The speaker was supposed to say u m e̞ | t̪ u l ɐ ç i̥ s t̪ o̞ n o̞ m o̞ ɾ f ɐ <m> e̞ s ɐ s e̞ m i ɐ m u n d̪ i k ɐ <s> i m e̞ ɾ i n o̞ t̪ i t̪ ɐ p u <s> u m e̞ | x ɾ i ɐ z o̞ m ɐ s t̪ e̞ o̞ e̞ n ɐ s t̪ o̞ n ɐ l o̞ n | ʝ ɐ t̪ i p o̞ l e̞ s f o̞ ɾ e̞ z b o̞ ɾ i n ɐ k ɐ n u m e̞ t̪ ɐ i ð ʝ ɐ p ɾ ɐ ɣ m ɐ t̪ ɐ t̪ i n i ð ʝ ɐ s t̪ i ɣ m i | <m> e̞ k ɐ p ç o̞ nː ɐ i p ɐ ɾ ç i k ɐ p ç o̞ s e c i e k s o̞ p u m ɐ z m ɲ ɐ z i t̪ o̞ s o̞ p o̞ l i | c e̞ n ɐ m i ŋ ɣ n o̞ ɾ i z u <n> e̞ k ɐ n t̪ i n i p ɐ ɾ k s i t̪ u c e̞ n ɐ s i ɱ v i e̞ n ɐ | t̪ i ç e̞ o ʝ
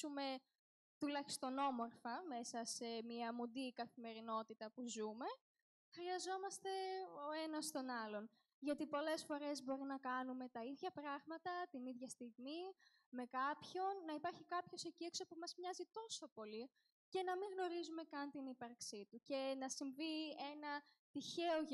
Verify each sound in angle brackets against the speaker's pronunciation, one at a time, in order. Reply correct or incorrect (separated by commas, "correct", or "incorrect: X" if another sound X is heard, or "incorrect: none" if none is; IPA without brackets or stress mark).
correct, incorrect: θ, incorrect: z, correct, incorrect: m